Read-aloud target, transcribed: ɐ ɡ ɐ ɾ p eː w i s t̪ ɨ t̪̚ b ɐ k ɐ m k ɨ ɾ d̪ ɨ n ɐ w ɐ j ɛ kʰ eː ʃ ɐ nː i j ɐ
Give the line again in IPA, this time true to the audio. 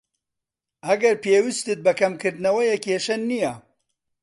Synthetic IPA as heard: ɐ ɡ ɐ ɾ p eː w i s t̪ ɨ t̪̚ b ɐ k ɐ m k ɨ ɾ d̪ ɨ n ɐ w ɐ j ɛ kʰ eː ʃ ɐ nː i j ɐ